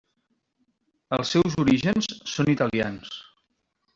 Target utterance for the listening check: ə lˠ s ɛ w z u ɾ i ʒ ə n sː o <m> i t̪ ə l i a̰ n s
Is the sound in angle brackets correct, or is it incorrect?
incorrect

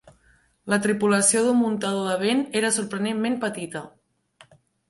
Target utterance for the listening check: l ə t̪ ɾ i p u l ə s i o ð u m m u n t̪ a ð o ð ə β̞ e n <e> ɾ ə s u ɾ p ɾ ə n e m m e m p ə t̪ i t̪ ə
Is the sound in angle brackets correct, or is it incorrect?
correct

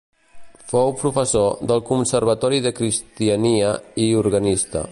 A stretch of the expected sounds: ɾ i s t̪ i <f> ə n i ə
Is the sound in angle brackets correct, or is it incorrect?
incorrect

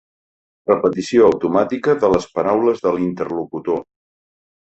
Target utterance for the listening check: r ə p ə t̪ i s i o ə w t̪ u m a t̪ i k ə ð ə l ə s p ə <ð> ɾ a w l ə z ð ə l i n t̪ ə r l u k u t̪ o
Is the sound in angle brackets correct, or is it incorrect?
incorrect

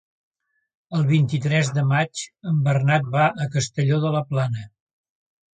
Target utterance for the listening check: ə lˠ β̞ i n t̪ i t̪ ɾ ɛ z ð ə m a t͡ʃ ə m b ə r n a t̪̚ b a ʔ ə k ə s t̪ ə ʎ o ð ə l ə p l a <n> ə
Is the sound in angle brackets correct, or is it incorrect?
correct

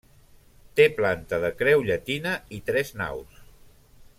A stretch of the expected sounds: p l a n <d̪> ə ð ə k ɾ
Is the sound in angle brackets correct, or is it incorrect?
incorrect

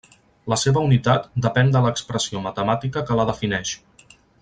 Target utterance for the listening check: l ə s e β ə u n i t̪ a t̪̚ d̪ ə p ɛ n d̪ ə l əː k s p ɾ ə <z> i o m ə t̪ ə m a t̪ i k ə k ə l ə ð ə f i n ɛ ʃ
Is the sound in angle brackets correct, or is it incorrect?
incorrect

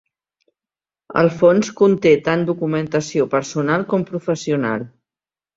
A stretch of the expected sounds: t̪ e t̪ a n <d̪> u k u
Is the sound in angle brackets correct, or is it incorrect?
correct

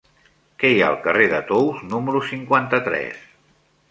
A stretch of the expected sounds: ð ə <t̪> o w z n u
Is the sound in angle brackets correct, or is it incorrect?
correct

